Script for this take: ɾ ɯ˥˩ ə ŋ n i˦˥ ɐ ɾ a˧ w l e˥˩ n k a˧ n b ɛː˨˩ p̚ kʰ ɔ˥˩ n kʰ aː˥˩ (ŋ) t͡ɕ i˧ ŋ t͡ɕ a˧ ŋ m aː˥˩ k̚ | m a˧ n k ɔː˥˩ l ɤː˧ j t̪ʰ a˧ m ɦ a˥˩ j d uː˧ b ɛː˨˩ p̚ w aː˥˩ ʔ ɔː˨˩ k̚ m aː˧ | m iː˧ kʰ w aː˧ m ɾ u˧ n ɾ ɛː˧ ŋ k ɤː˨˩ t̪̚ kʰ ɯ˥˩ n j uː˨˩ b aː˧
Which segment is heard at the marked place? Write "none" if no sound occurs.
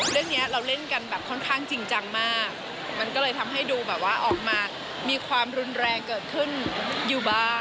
ŋ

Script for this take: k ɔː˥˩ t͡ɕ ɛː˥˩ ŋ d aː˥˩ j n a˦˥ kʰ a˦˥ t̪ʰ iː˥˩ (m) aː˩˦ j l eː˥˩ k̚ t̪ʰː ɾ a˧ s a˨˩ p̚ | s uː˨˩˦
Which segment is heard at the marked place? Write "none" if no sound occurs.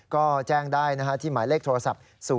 m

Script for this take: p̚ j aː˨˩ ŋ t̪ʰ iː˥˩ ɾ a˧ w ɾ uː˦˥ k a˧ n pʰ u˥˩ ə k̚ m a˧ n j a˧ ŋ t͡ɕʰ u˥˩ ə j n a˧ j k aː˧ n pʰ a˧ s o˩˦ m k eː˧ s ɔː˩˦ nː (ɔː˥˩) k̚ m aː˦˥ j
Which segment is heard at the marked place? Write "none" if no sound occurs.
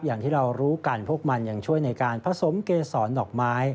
ɔː˨˩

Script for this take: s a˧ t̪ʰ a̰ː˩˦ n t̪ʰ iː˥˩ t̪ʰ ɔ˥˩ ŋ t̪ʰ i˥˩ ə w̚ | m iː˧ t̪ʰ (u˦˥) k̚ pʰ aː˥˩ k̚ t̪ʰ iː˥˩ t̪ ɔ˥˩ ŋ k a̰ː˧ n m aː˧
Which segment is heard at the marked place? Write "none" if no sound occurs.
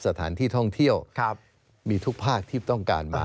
u˦˥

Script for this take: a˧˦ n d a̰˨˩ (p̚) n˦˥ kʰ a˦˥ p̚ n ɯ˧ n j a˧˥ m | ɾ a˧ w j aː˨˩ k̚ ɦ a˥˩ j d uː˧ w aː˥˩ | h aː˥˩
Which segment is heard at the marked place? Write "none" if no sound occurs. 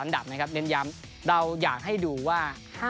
p̚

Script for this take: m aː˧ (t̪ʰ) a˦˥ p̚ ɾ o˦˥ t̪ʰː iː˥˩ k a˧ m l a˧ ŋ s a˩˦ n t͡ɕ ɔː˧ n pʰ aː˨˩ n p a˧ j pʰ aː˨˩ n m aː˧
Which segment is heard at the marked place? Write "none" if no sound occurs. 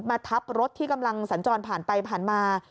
t̪ʰ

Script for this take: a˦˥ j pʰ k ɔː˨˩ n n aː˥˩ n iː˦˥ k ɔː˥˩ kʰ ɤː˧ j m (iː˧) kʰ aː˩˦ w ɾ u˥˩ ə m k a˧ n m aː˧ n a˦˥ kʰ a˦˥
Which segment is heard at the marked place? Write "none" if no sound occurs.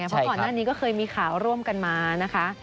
iː˧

